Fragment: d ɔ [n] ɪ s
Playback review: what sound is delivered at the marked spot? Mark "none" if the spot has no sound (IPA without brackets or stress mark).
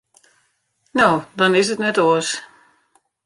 n